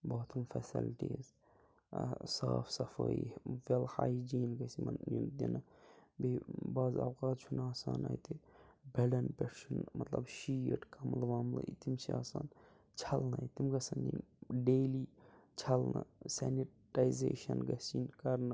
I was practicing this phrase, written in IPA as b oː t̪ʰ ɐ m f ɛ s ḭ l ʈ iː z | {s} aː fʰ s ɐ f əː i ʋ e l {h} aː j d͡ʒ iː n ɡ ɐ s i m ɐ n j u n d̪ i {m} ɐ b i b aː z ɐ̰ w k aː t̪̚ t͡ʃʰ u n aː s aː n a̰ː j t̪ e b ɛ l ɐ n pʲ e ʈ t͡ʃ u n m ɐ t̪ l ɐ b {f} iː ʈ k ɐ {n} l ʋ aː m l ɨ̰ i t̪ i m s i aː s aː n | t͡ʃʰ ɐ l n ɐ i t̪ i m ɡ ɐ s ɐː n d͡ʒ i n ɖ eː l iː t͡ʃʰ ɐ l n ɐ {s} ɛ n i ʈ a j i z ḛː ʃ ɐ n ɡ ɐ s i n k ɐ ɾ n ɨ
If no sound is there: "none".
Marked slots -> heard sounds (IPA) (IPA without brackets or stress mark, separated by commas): s, h, n, ʃ, m, s